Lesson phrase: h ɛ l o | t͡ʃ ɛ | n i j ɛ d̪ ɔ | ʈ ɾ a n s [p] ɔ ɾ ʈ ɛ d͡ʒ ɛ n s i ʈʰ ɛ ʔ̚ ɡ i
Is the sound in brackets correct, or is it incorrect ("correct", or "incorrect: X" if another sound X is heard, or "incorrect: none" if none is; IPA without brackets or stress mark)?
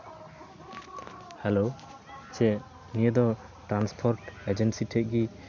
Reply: incorrect: pʰ